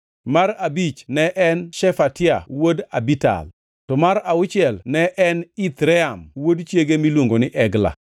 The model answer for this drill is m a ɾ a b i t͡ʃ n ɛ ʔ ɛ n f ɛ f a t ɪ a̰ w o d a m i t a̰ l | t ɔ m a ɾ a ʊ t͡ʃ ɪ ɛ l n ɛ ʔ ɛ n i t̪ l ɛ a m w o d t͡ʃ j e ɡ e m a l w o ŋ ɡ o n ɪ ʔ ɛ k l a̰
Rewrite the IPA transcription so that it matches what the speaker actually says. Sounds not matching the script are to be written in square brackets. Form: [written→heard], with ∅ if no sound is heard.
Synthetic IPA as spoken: m a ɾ a b i t͡ʃ n ɛ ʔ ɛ n [f→ʃ] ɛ f a t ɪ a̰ w o d a [m→b] i t a̰ l | t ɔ m a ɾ a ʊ t͡ʃ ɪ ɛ l n ɛ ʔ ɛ n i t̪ [l→ɾ] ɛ a m w o d t͡ʃ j e ɡ e m [a→i] l w o ŋ ɡ o n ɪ ʔ ɛ [k→ɡ] l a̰